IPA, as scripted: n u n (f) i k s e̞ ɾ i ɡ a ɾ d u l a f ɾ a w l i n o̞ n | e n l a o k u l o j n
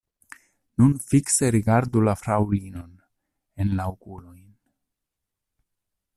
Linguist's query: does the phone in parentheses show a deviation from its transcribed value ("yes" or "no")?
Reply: no